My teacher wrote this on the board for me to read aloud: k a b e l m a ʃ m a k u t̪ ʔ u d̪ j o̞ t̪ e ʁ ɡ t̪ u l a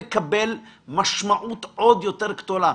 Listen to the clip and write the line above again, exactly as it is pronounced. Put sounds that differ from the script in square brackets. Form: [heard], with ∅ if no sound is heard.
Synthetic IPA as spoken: k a b e l m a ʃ m a [ʔ] u t̪ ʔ [o] d̪ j o̞ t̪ e ʁ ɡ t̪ [o] l a